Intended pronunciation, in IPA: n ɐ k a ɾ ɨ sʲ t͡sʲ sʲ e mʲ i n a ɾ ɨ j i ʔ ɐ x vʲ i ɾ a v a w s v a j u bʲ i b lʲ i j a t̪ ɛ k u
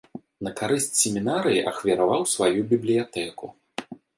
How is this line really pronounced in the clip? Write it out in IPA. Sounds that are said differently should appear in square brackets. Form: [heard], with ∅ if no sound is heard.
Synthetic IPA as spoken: n ɐ k a ɾ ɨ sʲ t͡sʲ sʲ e mʲ i n a ɾ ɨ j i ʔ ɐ x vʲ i ɾ a v a w s v a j u bʲ i b lʲ i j a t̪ ɛ k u